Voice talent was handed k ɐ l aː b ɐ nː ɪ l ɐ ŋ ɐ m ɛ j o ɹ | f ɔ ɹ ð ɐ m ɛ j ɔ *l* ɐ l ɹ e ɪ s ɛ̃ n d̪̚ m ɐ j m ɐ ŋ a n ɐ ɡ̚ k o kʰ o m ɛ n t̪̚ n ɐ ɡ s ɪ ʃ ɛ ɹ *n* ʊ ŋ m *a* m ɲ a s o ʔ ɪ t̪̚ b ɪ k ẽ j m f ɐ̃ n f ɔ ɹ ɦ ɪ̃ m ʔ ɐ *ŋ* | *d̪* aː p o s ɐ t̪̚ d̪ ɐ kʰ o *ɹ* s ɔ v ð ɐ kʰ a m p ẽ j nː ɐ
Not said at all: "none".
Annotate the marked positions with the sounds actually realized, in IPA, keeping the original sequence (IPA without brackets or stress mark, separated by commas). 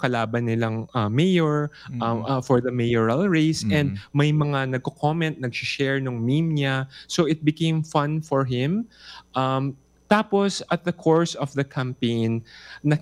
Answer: ɹ, n, i, m, t̪, ɹ